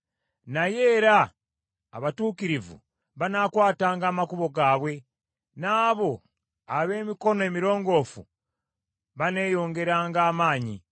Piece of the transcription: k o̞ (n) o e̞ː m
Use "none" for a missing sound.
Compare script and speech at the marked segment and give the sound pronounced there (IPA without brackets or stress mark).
n